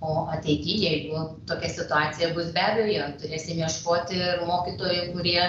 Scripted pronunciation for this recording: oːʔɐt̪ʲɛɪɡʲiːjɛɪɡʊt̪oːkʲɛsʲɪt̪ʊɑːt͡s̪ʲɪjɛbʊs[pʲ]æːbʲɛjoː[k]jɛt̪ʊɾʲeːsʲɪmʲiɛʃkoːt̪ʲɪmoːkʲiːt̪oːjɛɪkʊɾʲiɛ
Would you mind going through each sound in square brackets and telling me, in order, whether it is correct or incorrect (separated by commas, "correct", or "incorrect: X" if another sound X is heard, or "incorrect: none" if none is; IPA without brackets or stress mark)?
incorrect: bʲ, incorrect: none